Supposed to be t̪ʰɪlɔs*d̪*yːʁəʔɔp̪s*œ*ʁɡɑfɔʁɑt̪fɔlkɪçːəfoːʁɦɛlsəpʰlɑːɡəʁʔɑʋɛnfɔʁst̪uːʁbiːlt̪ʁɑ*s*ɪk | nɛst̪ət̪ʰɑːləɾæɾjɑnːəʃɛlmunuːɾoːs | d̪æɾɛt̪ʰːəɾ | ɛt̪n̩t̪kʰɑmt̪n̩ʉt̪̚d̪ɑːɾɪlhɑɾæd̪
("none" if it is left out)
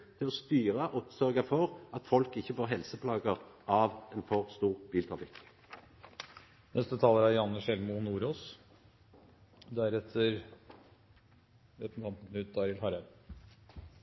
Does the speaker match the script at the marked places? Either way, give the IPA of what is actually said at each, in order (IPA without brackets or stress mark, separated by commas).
t̪, œ, f